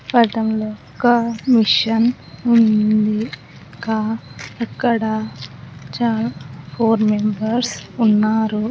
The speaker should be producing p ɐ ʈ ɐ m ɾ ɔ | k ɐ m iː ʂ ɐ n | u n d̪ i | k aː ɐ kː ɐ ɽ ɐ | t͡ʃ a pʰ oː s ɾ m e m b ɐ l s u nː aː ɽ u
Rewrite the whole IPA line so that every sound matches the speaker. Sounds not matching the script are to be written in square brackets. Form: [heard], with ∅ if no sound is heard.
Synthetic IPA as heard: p ɐ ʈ ɐ m [l] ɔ | k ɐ m [i] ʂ ɐ n | u n d̪ i | k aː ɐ kː ɐ ɽ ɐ | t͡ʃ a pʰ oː [∅] ɾ m e m b ɐ [ɾ] s u nː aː [ɾ] u